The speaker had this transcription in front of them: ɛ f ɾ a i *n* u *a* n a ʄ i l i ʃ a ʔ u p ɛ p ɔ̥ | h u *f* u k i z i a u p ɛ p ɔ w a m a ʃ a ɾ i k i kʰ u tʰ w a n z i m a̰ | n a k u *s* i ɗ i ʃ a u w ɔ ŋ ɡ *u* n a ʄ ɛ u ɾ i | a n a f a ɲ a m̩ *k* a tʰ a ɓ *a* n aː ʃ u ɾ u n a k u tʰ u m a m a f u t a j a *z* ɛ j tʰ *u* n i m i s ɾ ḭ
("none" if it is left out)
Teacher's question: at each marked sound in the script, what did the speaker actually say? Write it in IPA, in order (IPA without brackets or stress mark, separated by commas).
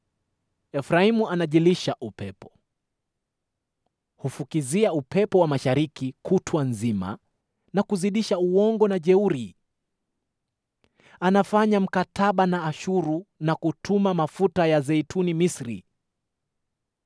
m, a, f, z, ɔ, k, a, z, u